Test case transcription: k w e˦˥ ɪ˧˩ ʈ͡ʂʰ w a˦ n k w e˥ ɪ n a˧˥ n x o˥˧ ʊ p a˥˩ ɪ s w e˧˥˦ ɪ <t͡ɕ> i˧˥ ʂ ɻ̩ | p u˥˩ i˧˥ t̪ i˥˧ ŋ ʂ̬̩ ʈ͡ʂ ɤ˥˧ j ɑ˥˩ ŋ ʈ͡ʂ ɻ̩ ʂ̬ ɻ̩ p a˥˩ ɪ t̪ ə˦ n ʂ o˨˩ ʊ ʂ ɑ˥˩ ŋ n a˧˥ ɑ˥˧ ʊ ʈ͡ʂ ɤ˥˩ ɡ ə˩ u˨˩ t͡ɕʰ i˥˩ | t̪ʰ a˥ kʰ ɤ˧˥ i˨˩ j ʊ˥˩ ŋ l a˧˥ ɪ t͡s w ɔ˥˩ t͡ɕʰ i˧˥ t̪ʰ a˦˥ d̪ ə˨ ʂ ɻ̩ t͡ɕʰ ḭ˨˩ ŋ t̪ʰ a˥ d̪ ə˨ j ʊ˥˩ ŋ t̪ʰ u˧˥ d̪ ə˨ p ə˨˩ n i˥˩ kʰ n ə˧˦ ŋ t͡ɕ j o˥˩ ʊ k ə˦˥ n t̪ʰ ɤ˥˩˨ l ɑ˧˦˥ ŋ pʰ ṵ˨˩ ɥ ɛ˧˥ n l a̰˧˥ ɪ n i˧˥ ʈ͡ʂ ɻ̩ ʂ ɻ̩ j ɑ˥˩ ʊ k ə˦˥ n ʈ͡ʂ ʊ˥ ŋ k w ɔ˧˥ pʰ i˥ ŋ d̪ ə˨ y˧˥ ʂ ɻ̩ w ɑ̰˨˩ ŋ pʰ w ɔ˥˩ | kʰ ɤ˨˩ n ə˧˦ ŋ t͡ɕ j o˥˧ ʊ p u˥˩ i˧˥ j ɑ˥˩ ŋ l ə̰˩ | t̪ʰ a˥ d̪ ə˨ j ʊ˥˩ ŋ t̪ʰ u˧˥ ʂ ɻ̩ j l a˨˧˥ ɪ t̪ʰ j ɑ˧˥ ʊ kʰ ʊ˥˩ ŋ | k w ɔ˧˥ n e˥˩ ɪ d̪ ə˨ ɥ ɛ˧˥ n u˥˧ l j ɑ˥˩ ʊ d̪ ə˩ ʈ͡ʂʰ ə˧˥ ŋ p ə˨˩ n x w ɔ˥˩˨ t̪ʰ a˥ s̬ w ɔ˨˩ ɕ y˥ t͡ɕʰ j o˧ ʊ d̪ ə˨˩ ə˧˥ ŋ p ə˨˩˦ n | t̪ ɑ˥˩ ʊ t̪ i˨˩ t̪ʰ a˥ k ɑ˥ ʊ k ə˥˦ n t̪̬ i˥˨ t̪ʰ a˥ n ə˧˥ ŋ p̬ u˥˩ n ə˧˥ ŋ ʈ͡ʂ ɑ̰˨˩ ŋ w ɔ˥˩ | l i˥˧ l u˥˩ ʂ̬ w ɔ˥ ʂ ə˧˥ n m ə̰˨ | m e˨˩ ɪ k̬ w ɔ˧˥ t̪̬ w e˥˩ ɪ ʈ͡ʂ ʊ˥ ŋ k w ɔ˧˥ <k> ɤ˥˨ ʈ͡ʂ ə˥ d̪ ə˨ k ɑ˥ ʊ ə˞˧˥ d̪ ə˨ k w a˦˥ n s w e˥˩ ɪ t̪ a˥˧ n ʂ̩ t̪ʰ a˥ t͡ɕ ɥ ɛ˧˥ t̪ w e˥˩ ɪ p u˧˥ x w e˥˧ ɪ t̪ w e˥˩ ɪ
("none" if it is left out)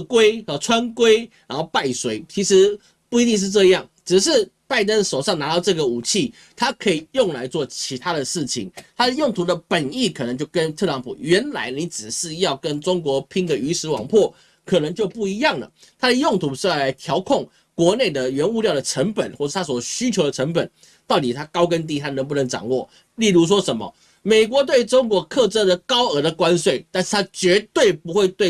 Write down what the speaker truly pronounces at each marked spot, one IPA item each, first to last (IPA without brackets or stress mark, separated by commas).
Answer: t͡ɕʰ, kʰ